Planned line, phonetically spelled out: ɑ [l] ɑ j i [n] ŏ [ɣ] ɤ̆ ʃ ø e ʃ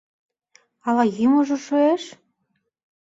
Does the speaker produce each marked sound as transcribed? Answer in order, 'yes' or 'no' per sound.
yes, no, no

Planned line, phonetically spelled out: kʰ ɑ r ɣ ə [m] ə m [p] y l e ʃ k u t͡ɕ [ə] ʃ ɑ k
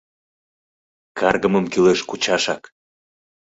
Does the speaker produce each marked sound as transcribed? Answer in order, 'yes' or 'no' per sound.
yes, no, no

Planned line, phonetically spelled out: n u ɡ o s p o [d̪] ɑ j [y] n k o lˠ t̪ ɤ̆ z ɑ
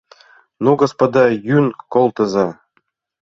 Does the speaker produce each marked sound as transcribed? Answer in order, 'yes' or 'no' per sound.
yes, yes

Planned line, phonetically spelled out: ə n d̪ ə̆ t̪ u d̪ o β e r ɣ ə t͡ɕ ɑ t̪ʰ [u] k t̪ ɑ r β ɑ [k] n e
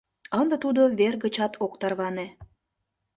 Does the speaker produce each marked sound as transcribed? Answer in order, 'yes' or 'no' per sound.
no, no

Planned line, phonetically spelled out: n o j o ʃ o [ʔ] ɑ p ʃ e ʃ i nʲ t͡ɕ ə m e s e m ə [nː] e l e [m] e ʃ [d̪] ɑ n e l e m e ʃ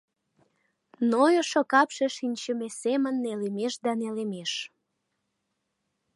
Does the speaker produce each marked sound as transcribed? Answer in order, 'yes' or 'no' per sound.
no, yes, yes, yes

